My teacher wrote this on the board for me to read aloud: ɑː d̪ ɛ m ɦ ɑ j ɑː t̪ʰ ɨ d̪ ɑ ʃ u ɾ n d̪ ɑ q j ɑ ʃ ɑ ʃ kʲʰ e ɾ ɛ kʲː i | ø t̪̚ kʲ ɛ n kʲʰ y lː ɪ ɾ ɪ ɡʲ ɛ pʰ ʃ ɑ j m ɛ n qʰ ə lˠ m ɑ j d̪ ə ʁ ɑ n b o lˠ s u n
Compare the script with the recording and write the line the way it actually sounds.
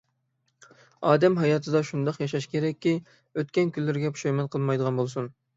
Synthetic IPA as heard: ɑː d̪ ɛ m ɦ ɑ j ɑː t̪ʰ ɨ d̪ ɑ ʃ u n d̪ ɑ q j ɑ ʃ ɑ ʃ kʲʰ e ɾ ɛ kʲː i | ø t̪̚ kʲ ɛ n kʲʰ y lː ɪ ɾ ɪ ɡʲ ɛ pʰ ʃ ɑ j m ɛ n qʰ ə lˠ m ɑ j d̪ ə ʁ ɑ n b o lˠ s u n